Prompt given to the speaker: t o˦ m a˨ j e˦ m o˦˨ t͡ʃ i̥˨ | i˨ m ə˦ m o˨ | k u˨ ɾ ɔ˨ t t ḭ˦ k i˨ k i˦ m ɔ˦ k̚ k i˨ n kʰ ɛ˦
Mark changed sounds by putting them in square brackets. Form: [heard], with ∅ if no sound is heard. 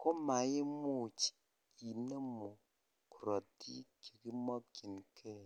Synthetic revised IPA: [k] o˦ m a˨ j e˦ m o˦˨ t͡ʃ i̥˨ | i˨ [n] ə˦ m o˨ | k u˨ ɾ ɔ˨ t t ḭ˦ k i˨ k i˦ m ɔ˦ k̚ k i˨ n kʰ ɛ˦